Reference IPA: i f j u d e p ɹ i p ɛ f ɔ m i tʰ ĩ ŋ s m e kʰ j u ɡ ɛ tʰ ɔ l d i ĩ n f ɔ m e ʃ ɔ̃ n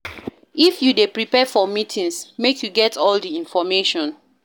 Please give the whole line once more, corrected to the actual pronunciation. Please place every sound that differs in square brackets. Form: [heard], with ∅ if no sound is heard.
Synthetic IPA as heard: i f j u d e p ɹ i p ɛ f ɔ m i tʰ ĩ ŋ s m e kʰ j u ɡ ɛ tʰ ɔ l d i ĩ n f ɔ m e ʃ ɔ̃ n